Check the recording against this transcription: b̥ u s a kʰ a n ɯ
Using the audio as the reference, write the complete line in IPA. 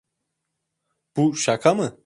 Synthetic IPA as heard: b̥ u ʃ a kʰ a m ɯ